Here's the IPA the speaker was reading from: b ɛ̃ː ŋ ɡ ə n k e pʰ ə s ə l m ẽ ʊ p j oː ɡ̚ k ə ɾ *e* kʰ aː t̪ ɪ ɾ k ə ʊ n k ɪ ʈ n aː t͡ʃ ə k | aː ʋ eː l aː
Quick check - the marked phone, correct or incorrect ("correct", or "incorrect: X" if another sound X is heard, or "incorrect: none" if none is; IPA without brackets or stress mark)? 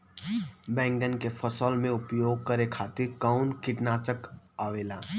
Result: correct